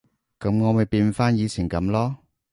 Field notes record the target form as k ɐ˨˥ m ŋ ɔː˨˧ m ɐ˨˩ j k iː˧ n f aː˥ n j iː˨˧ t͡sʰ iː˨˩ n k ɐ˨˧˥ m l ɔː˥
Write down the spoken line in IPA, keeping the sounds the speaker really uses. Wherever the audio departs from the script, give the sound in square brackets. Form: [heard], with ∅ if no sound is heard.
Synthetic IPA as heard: k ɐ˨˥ m ŋ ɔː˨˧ m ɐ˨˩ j [p] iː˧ n f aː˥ n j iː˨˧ t͡sʰ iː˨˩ n k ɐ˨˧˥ m l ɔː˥